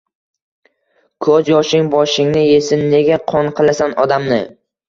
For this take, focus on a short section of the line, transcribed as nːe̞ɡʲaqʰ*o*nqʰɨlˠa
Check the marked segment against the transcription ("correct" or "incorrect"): incorrect